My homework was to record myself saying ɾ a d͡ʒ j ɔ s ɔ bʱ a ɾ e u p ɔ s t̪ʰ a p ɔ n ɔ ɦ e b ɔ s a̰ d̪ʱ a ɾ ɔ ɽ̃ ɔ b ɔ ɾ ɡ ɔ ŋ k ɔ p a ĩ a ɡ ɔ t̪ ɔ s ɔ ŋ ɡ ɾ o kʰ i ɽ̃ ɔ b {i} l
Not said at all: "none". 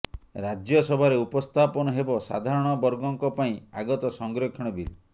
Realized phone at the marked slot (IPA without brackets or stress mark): i